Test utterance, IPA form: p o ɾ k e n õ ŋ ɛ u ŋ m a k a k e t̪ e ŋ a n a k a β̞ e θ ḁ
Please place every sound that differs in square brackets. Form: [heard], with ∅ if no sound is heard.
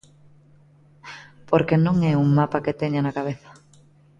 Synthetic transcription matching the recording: p o ɾ k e n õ ŋ ɛ u ŋ m a [p] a k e t̪ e [ɲ] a n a k a β̞ e θ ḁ